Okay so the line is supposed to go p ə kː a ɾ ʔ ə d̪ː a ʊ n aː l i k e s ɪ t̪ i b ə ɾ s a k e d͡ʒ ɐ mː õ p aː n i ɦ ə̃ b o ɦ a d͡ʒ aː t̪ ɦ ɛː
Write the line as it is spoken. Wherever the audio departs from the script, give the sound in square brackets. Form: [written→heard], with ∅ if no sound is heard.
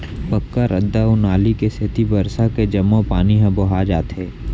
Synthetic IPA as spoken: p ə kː a ɾ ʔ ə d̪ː a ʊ n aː l i k e s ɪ t̪ i b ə ɾ s a k e d͡ʒ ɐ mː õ p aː n i ɦ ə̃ b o ɦ a d͡ʒ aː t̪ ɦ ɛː